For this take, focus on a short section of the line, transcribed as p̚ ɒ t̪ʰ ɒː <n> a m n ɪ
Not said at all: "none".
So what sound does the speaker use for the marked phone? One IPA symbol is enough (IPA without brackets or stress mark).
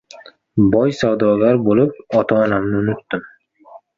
n